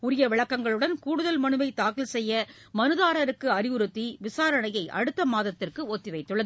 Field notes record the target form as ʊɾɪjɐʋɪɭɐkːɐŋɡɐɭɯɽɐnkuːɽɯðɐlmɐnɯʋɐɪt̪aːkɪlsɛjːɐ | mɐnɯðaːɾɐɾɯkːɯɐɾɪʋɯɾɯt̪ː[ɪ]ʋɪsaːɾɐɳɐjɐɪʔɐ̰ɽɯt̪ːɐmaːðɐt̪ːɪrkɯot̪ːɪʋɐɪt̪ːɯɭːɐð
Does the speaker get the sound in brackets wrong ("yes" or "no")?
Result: yes